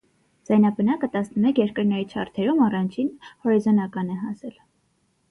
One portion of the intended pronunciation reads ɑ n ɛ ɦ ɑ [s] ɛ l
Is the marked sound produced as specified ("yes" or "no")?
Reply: yes